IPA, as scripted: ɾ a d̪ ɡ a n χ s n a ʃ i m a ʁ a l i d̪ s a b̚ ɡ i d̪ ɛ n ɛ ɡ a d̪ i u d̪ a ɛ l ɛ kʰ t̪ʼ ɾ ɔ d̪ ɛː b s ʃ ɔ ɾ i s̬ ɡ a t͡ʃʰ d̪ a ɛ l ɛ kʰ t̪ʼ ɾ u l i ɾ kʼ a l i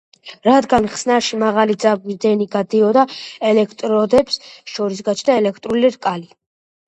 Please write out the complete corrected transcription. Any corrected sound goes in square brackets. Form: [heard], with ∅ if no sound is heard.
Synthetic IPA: ɾ a d̪ ɡ a n χ s n a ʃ i m a ʁ a l i d̪ [z] a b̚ ɡ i d̪ ɛ n [i] ɡ a d̪ i [ɔ] d̪ a ɛ l ɛ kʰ t̪ʼ ɾ ɔ d̪ [ɛ] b s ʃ ɔ ɾ i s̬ ɡ a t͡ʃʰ d̪ a ɛ l ɛ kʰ t̪ʼ ɾ u l i ɾ kʼ a l i